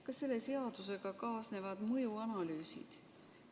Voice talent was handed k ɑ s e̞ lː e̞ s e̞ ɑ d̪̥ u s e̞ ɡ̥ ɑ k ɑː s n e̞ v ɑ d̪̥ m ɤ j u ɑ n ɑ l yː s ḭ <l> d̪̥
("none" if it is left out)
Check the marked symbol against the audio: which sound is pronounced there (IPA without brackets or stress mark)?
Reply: none